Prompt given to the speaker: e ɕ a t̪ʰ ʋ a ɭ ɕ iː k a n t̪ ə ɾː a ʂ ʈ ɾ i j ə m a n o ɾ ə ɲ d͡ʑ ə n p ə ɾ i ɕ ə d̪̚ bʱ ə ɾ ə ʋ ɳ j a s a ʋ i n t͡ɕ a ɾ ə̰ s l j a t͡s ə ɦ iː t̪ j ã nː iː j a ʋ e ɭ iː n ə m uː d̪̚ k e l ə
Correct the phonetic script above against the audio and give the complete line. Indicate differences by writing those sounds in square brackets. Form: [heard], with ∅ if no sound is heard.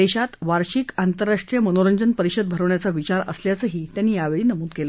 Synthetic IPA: e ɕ a [t̪] ʋ a [ɾ] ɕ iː k a n t̪ ə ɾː a ʂ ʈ ɾ i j ə m [ə] n o ɾ ə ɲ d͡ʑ ə n p ə ɾ i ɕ ə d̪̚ bʱ ə ɾ ə ʋ ɳ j a [t͡s] a ʋ i [∅] t͡ɕ a ɾ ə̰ s l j a t͡s ə ɦ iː t̪ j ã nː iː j a ʋ e ɭ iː n ə m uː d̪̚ k e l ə